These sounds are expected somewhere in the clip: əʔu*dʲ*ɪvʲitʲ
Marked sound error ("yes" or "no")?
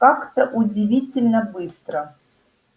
no